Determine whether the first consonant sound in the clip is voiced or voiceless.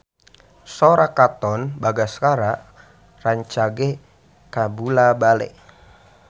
voiceless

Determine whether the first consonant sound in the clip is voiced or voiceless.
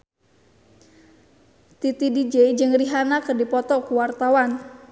voiceless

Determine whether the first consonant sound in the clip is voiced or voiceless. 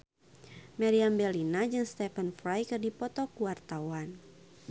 voiced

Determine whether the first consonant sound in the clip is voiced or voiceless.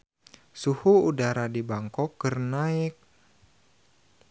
voiceless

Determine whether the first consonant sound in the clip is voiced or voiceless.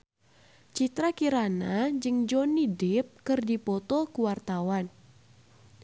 voiceless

